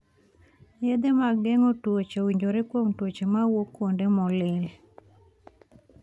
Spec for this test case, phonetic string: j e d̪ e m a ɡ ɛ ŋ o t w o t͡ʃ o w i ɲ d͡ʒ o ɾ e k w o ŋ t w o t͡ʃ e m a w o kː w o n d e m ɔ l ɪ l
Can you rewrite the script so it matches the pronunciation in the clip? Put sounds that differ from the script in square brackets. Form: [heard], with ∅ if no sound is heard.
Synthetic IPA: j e d̪ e m a ɡ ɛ ŋ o t w o t͡ʃ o w i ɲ d͡ʒ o ɾ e k w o ŋ t w o t͡ʃ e m a w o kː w o n d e m ɔ l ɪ l